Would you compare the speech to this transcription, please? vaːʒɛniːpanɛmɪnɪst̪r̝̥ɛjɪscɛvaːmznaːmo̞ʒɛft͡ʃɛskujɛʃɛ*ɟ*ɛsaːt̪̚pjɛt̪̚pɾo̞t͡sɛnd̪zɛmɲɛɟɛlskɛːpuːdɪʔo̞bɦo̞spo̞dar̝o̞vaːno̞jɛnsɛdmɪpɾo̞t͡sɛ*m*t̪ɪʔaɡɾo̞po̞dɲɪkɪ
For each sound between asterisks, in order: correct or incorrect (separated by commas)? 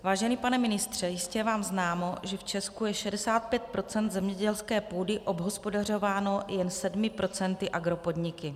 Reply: incorrect, incorrect